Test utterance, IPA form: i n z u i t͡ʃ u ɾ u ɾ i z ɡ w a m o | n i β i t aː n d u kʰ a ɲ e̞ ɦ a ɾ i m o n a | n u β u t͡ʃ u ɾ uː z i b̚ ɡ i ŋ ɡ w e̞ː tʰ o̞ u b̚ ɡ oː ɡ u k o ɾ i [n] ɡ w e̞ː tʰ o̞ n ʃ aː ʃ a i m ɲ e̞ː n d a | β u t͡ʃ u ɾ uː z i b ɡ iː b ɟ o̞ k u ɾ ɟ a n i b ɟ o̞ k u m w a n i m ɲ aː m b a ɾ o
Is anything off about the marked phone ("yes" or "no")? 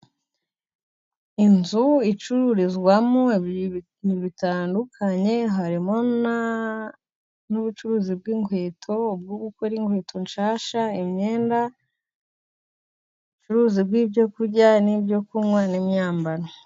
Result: yes